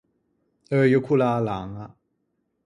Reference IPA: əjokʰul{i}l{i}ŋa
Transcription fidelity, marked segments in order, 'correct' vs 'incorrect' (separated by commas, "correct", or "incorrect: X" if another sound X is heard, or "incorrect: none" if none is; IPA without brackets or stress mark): incorrect: a, incorrect: a